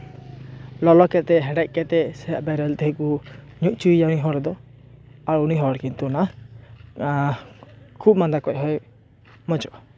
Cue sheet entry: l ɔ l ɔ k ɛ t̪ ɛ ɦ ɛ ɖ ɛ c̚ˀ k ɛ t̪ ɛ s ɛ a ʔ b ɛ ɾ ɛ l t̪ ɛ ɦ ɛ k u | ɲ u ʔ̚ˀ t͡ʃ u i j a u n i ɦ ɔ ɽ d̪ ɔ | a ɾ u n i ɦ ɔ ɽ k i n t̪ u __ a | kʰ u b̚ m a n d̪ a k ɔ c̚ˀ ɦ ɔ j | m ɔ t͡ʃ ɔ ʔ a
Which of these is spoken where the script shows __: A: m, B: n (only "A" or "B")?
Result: B